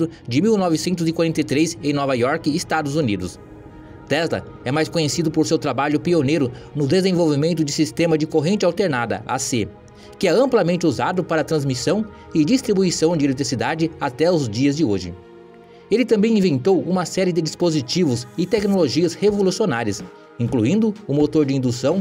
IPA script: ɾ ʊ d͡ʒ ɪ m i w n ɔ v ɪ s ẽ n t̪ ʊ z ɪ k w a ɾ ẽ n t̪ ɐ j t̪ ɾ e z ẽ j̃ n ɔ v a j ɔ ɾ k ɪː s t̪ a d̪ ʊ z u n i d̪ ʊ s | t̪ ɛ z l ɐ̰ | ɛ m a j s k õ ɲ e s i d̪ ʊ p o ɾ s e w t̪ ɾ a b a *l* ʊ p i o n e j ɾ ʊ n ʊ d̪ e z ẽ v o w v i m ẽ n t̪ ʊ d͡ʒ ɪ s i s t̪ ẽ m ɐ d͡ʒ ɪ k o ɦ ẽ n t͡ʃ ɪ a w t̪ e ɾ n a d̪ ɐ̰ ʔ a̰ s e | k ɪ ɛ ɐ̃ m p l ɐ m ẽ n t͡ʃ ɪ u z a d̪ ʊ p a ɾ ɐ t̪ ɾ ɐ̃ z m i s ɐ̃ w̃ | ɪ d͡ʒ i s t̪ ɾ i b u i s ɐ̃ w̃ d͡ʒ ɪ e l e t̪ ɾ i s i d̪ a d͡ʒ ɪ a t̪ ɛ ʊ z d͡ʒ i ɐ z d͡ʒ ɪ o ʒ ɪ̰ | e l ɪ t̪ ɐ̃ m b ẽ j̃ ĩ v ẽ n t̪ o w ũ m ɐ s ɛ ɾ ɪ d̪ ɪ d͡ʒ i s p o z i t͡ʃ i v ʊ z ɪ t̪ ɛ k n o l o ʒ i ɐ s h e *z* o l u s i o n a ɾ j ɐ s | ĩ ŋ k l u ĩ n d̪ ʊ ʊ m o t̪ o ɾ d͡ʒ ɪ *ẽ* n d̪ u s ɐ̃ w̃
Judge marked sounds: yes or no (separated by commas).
no, no, no